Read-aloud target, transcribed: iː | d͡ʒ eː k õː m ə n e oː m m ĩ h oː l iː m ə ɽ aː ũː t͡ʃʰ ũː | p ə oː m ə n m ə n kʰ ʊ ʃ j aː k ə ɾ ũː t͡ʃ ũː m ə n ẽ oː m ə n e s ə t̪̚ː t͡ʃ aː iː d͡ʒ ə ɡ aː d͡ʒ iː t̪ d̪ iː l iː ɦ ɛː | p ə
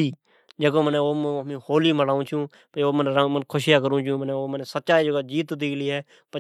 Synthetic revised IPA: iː | d͡ʒ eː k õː m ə n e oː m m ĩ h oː l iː m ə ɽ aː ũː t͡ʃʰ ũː | p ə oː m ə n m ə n kʰ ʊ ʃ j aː k ə ɾ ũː t͡ʃ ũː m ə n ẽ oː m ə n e s ə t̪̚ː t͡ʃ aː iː d͡ʒ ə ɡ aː d͡ʒ iː t̪ d̪ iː l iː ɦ ɛː | p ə